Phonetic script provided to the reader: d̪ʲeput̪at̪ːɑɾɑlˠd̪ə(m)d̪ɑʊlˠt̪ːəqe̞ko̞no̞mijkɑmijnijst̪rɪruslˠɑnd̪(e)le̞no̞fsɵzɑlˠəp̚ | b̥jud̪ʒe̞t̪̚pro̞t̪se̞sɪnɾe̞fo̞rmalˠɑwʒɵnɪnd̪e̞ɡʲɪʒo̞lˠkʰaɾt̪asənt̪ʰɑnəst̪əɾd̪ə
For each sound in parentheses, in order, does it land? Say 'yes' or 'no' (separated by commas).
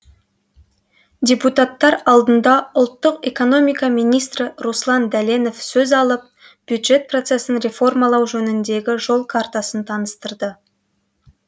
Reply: no, no